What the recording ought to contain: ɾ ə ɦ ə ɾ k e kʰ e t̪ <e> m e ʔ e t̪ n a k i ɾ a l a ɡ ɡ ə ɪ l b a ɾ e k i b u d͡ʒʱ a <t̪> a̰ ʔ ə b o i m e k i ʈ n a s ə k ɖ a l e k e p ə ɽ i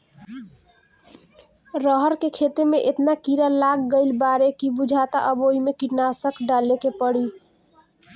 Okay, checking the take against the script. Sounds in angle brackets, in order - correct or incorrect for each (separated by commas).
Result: correct, correct